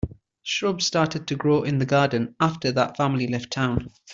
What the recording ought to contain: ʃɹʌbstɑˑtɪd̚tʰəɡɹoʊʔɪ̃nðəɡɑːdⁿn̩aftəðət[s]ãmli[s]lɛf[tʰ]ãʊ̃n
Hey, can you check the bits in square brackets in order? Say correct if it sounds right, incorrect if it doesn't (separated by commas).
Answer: incorrect, incorrect, correct